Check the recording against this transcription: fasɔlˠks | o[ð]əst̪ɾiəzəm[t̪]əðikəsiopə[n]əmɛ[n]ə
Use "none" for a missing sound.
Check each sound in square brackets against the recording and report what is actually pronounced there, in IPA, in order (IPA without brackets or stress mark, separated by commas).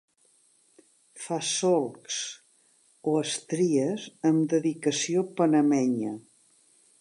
none, d̪, n, ɲ